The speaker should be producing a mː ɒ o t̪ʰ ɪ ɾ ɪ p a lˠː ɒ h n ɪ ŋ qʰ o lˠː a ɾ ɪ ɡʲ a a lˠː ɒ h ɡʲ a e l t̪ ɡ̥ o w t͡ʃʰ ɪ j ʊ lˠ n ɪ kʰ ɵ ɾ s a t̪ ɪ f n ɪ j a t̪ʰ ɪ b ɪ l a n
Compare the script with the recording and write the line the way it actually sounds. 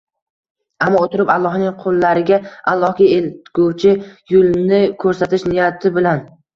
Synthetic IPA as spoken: a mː ɒ o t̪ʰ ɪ ɾ ɪ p a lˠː ɒ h n ɪ ŋ qʰ o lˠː a ɾ ɪ ɡʲ a a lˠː ɒ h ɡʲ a e l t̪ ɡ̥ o w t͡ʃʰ ɪ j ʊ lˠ n ɪ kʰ ɵ ɾ s a t̪ ɪ ʃ n ɪ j a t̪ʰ ɪ b ɪ l a n